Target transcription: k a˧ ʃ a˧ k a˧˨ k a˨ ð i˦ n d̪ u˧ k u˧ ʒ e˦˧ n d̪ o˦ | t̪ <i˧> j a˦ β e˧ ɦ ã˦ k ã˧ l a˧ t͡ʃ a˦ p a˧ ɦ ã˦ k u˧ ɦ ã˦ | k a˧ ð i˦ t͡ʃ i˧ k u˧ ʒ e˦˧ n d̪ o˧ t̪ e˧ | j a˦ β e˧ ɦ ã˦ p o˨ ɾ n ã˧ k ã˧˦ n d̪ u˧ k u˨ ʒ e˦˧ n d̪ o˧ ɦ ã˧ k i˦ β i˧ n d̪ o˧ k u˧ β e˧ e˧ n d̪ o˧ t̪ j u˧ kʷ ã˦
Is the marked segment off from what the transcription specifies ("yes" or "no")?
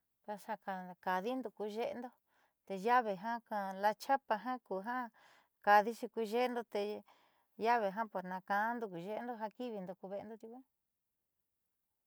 yes